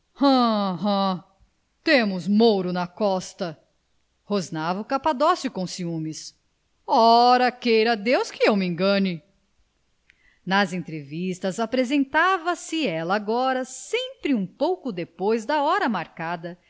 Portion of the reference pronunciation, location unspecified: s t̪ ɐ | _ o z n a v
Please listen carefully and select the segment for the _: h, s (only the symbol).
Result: h